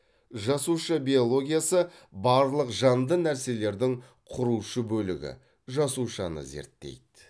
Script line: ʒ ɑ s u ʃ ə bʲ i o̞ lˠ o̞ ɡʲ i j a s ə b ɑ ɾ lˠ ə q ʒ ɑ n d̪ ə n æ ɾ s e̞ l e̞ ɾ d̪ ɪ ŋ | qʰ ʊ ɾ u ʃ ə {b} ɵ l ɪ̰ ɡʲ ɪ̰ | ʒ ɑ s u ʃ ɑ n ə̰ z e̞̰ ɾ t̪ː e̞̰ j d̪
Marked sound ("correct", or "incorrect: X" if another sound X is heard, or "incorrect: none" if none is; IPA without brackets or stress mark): correct